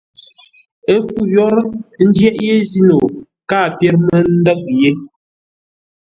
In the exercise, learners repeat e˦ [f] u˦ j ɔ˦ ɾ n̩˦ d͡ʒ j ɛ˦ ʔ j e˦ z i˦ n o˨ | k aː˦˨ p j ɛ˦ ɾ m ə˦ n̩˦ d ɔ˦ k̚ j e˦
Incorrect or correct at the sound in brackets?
correct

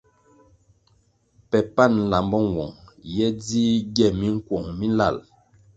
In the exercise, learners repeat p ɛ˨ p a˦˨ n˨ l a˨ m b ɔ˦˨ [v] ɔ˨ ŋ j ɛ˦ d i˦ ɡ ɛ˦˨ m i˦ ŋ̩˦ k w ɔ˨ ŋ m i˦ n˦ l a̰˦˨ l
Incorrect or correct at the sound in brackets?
incorrect: w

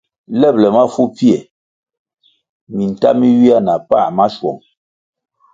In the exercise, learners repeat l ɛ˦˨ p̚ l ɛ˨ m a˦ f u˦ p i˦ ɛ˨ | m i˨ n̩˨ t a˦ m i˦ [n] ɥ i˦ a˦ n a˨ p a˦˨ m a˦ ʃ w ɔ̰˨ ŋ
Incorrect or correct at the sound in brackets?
incorrect: none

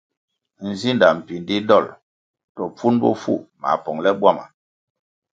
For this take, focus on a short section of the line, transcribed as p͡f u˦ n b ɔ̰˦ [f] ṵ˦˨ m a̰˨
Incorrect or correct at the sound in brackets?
correct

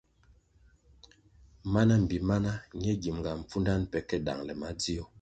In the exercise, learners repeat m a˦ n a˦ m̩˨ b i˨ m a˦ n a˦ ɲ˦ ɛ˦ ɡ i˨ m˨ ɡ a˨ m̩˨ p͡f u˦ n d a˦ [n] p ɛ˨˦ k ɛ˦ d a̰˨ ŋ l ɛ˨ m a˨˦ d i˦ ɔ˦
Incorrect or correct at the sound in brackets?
correct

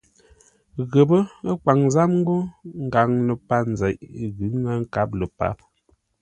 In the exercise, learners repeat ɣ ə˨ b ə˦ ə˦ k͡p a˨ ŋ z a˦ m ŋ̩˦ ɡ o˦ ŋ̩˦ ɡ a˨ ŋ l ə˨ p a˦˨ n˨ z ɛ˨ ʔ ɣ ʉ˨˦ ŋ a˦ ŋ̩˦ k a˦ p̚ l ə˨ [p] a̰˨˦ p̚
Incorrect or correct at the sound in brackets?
correct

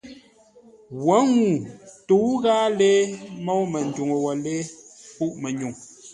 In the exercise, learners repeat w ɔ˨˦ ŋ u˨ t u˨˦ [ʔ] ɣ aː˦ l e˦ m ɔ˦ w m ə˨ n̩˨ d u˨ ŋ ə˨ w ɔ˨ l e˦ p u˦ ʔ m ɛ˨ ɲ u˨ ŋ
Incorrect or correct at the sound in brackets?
incorrect: none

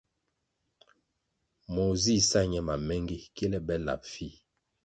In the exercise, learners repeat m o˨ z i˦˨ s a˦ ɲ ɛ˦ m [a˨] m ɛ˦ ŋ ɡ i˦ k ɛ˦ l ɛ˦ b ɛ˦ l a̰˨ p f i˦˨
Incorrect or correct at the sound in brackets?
correct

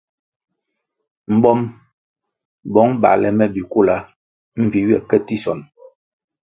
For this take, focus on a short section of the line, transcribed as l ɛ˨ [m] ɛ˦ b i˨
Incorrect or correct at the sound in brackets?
correct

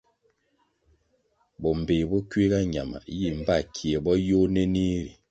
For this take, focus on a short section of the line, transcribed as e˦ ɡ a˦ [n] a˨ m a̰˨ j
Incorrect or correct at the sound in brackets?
incorrect: ɲ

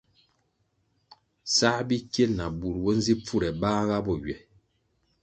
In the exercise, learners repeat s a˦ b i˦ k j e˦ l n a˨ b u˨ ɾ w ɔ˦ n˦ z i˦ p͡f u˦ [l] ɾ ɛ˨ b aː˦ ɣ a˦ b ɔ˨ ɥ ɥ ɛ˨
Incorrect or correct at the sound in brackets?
incorrect: none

